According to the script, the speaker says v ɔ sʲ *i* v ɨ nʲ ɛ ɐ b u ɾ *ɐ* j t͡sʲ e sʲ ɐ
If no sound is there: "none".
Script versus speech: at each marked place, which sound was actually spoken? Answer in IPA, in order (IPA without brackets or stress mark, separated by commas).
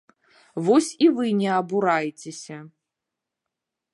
i, a